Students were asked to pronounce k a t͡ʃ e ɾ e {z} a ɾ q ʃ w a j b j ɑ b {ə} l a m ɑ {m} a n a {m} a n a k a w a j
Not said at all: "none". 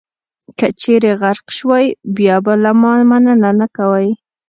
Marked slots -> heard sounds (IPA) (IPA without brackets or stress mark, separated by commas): ɣ, a, m, n